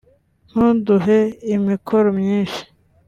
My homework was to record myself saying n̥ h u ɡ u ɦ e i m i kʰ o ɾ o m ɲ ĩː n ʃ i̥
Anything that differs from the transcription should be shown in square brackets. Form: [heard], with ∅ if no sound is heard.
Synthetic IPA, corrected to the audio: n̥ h u [d] u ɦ e i m i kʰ o ɾ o m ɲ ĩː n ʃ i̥